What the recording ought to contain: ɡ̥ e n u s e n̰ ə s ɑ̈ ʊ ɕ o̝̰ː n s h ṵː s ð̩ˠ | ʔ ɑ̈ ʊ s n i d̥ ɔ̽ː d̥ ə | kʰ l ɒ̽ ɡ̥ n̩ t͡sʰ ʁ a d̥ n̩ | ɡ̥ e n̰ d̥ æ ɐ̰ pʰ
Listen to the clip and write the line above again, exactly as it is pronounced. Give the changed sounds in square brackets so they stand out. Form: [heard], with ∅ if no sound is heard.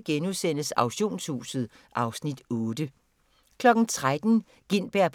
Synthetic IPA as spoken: ɡ̥ e n u s e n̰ ə s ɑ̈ ʊ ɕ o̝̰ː n s h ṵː s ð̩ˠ | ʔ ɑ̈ ʊ s n i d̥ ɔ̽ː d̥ ə | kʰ l ɒ̽ ɡ̥ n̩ t͡sʰ ʁ a d̥ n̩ | ɡ̥ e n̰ [b̥] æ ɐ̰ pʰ